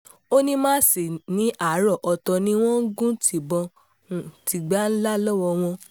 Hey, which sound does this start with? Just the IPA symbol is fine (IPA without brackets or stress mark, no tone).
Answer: o